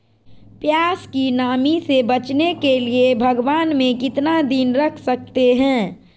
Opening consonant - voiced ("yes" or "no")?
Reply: no